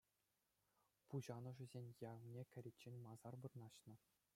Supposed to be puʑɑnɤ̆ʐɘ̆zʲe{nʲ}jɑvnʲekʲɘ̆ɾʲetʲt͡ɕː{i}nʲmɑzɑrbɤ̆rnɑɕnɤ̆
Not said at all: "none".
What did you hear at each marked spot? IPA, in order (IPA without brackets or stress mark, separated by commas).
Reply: nʲ, e